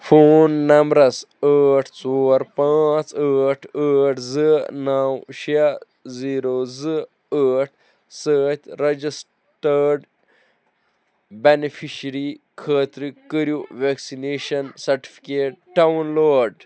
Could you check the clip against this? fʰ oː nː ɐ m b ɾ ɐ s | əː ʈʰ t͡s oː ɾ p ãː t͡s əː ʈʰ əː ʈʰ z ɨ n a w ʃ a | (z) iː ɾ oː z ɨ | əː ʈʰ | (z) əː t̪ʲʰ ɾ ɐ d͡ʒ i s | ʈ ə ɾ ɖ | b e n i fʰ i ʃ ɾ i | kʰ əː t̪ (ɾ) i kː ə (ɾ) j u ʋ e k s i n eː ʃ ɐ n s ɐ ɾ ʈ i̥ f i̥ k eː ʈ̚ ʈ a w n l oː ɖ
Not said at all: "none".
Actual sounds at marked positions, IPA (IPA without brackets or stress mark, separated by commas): z, s, ɾ, ɾ